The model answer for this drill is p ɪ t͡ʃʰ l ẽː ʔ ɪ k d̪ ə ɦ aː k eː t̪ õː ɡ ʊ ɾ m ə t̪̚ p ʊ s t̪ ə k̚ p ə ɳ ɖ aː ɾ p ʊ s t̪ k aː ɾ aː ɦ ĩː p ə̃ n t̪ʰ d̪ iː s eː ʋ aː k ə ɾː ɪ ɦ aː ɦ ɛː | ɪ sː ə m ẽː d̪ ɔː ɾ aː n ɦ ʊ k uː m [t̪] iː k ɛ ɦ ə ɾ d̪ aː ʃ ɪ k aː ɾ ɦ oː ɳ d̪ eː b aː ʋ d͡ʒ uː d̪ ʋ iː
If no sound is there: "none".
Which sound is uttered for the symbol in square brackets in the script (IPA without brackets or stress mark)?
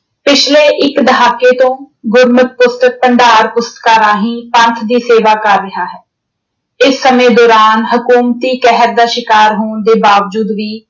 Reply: t̪